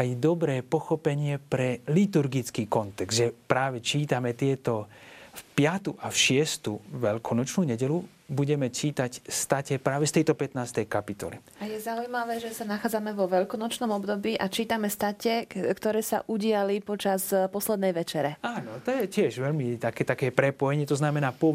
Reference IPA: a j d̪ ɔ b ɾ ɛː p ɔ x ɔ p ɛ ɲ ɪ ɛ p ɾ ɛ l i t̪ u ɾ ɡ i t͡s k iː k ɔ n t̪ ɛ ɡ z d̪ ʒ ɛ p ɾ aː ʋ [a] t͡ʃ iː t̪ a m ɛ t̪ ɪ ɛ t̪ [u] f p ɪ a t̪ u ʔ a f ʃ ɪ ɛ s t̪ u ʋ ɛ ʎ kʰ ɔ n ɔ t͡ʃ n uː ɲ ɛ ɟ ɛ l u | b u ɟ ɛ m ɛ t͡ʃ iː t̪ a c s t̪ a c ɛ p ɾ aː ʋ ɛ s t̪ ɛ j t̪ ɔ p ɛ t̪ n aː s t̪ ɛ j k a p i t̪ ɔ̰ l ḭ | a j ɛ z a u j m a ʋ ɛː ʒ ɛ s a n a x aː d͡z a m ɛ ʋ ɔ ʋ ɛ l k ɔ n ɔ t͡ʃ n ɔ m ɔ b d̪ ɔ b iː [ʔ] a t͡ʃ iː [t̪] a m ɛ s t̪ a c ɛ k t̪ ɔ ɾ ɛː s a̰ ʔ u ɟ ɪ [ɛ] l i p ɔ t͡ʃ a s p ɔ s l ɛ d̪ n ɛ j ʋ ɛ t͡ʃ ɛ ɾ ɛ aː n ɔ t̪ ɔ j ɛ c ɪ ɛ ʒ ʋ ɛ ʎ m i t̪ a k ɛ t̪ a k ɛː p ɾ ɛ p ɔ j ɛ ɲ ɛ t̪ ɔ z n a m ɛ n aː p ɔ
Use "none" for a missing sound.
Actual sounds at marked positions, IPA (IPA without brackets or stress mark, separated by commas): ɛ, ɔ, ʔ, t̪, a